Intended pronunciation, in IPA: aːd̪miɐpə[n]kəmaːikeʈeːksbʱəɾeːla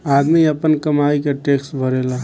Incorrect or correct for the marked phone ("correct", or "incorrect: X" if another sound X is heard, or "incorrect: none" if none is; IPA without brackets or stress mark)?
correct